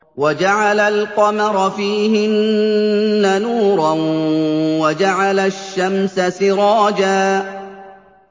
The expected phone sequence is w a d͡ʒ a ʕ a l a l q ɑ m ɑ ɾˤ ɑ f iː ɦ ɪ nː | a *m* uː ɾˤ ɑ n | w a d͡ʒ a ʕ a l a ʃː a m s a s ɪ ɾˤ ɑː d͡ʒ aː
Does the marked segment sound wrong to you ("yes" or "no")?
yes